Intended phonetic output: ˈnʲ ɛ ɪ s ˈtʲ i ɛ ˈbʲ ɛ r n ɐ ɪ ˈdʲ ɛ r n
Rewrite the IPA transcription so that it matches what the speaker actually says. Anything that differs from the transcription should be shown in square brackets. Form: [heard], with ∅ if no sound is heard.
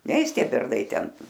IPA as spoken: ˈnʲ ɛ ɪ s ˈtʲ i ɛ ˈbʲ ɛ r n ɐ ɪ [ˈtʲ] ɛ [∅] n